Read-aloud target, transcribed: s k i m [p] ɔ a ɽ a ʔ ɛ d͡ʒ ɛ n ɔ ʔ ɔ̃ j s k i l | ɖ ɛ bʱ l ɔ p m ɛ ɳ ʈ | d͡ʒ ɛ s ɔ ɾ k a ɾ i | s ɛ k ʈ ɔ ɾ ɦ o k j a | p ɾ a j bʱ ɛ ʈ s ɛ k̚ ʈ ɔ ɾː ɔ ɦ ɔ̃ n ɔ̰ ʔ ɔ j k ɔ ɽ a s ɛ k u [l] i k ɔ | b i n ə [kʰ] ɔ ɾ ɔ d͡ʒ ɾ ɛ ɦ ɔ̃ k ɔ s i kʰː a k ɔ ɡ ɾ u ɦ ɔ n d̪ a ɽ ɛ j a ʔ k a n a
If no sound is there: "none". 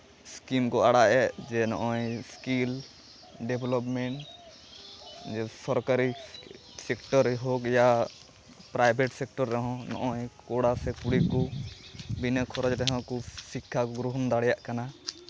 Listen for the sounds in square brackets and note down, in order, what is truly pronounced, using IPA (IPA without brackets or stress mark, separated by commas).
k, ɽ, kʰ